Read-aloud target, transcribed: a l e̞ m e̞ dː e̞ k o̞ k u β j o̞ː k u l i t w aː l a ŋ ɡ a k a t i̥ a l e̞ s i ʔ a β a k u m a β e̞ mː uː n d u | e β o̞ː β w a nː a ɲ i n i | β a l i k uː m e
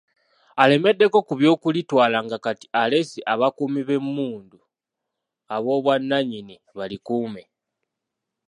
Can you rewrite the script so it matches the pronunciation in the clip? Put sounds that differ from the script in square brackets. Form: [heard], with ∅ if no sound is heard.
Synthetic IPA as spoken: a l e̞ m e̞ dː e̞ k o̞ k u β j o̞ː k u l i t w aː l a ŋ ɡ a k a t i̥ a l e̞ s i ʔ a β a k u m [i] β e̞ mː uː n d u | [a] β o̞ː β w a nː a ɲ i n i | β a l i k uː m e